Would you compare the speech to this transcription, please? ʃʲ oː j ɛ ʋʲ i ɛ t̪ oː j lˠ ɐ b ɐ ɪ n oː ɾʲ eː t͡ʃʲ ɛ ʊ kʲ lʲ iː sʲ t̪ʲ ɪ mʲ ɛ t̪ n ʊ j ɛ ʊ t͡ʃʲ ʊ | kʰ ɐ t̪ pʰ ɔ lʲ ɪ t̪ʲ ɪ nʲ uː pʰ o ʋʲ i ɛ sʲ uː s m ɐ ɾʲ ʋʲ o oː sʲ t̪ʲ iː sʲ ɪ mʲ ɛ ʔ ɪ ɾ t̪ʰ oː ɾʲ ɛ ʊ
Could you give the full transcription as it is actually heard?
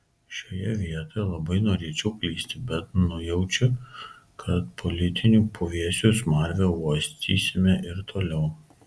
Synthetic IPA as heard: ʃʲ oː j ɛ ʋʲ i ɛ t̪ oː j lˠ ɐ b ɐ ɪ n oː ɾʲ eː t͡ʃʲ ɛ ʊ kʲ lʲ iː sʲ t̪ʲ ɪ bʲ ɛ t̪ n ʊ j ɛ ʊ t͡ʃʲ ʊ | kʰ ɐ t̪ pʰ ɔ lʲ ɪ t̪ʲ ɪ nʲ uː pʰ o ʋʲ i ɛ sʲ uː s m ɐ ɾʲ ʋʲ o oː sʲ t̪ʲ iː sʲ ɪ mʲ ɛ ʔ ɪ ɾ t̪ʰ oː lʲ ɛ ʊ

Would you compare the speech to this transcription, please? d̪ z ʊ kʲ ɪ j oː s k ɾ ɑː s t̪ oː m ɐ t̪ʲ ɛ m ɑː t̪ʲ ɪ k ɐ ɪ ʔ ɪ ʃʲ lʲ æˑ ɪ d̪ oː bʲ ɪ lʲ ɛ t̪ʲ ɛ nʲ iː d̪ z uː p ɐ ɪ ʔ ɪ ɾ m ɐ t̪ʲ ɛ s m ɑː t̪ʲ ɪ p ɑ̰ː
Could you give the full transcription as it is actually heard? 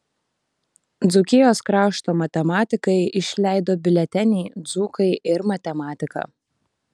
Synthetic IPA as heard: d̪ z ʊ kʲ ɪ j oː s k ɾ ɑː ʃ t̪ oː m ɐ t̪ʲ ɛ m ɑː t̪ʲ ɪ k ɐ ɪ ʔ ɪ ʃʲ lʲ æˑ ɪ d̪ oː bʲ ɪ lʲ ɛ t̪ʲ ɛ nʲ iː d̪ z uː k ɐ ɪ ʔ ɪ ɾ m ɐ t̪ʲ ɛ m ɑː t̪ʲ ɪ k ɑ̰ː

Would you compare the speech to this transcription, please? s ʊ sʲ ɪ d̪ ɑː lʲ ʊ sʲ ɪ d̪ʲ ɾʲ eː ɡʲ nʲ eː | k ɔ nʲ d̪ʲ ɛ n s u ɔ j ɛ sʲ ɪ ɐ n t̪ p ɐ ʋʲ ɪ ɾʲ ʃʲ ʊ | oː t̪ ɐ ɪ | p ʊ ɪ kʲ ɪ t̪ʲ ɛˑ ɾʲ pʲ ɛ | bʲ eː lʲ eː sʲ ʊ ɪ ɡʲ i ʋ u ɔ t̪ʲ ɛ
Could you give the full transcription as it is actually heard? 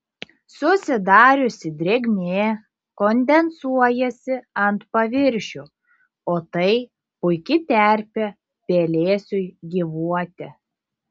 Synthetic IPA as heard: s ʊ sʲ ɪ d̪ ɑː ɾʲ ʊ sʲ ɪ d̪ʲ ɾʲ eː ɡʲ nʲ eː | k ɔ nʲ d̪ʲ ɛ n s u ɔ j ɛ sʲ ɪ ɐ n t̪ p ɐ ʋʲ ɪ ɾʲ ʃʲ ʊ | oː t̪ ɐ ɪ | p ʊ ɪ kʲ ɪ t̪ʲ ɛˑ ɾʲ pʲ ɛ | pʲ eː lʲ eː sʲ ʊ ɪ ɡʲ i ʋ u ɔ t̪ʲ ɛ

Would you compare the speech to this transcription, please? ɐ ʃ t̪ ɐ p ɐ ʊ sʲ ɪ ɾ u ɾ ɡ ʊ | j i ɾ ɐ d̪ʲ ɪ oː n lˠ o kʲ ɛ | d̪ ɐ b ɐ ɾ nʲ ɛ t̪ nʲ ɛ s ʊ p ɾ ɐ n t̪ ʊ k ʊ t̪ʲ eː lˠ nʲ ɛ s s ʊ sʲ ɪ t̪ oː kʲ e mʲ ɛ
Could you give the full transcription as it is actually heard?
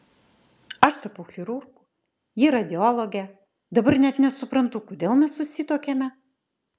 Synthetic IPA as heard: ɐ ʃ t̪ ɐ p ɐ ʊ xʲ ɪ ɾ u ɾ ɡ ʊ | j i ɾ ɐ d̪ʲ ɪ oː lˠ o ɡʲ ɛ | d̪ ɐ b ɐ ɾ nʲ ɛ t̪ nʲ ɛ s ʊ p ɾ ɐ n t̪ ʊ k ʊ d̪ʲ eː lˠ mʲ ɛ s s ʊ sʲ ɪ t̪ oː kʲ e mʲ ɛ

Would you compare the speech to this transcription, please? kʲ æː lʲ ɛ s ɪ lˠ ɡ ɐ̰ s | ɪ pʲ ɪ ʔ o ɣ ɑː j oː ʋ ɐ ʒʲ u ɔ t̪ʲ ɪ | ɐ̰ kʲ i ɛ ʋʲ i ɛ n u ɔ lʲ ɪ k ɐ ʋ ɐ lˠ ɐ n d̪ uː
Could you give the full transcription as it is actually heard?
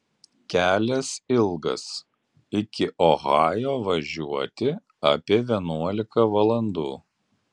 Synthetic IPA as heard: kʲ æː lʲ ɛ s ɪ lˠ ɡ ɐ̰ s | ɪ kʲ ɪ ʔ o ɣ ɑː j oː ʋ ɐ ʒʲ u ɔ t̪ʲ ɪ | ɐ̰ pʲ i ɛ ʋʲ i ɛ n u ɔ lʲ ɪ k ɐ ʋ ɐ lˠ ɐ n d̪ uː

